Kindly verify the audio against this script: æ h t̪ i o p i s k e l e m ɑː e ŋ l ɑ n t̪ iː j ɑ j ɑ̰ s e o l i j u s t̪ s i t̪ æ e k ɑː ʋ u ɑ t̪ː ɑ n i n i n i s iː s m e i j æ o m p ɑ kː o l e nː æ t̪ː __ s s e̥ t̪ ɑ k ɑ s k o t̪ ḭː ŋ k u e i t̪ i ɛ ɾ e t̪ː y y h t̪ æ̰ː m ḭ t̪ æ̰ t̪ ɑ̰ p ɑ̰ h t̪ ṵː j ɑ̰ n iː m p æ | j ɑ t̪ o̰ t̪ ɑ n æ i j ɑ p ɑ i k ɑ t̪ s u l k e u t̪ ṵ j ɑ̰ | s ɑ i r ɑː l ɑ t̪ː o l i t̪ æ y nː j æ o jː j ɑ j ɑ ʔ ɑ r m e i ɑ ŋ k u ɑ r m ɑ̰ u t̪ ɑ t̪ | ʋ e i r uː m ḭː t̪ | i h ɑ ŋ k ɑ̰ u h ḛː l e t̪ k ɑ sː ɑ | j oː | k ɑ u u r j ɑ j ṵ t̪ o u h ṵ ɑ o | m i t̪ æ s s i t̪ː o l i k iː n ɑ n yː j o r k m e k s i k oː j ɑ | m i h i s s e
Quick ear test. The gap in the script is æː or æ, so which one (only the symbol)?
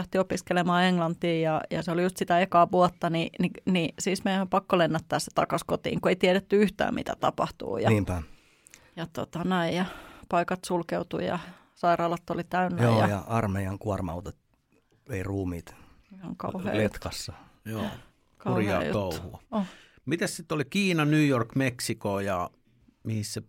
æː